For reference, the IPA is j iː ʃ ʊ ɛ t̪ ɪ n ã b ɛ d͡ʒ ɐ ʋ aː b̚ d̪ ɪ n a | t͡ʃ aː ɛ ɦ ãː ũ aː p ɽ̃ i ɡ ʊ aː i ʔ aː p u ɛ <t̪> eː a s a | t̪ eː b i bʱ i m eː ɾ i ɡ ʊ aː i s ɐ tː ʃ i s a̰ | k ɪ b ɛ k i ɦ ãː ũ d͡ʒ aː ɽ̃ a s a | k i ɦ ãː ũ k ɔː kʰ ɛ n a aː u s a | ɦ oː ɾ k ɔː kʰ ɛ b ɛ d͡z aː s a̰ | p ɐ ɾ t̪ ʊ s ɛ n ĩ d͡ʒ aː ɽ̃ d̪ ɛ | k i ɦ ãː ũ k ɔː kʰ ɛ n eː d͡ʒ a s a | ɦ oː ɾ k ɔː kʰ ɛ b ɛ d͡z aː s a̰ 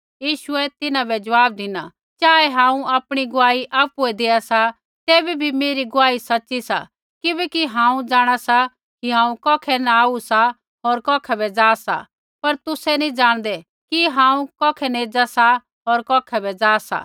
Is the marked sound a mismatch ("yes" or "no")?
yes